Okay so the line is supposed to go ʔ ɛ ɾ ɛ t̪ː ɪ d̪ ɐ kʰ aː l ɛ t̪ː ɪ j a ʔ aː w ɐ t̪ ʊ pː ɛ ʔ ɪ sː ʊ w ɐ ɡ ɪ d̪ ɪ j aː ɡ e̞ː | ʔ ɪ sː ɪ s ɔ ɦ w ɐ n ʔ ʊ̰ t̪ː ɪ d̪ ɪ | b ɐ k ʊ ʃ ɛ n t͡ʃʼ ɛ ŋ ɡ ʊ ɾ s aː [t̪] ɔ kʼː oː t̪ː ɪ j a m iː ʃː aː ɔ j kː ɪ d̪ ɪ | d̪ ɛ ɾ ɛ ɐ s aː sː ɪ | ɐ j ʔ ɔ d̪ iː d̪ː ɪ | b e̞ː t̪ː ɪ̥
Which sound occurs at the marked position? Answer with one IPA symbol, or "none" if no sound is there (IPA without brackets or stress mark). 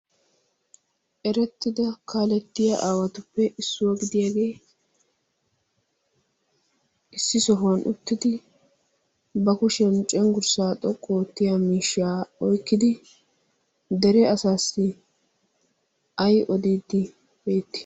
t̪ʼ